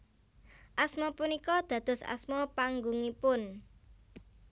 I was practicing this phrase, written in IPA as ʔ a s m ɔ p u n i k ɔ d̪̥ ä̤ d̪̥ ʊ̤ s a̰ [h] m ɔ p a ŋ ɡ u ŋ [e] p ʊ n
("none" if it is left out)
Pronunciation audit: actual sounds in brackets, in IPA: s, i

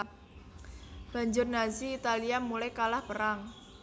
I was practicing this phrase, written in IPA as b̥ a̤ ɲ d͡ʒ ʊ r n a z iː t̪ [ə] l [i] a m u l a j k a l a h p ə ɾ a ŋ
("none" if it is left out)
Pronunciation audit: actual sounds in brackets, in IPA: a, i

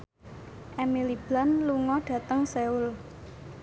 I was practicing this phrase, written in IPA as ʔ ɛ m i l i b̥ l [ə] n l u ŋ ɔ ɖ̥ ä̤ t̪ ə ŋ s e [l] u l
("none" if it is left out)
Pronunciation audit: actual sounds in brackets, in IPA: a, none

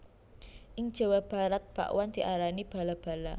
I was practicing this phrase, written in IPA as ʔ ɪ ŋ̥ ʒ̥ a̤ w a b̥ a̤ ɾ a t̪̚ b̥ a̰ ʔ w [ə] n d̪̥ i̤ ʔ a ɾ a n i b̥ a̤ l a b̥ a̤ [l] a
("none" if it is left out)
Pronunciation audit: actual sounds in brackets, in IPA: a, l

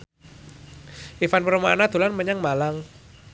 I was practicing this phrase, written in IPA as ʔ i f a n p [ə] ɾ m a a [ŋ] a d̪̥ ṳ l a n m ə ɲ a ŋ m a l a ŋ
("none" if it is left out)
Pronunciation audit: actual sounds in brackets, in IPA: ə, n

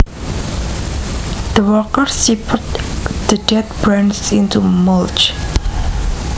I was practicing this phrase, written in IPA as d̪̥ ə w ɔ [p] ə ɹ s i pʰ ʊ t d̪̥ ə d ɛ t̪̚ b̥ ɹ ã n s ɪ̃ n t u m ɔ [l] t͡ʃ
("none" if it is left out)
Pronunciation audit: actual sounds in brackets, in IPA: k, l

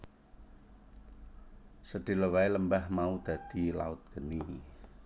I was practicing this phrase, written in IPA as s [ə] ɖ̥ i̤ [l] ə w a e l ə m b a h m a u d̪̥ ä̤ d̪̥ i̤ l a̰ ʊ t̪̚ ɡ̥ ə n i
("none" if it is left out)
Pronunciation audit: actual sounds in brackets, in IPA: ə, l

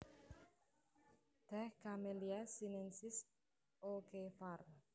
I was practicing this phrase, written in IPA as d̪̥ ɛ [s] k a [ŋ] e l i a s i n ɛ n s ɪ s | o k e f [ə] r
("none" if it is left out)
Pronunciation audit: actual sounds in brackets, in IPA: h, m, a

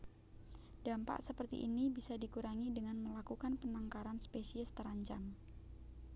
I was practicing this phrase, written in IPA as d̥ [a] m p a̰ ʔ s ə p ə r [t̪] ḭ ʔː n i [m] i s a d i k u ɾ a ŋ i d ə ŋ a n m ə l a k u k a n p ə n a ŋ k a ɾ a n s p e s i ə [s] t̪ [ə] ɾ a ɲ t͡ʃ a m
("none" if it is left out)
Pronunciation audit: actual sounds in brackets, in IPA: a, t̪, b, s, ə

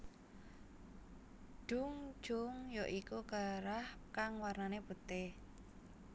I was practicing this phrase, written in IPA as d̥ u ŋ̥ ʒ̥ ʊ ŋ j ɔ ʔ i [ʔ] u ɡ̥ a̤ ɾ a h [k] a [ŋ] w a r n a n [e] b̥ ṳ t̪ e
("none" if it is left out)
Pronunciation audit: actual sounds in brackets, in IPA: k, k, ŋ, e

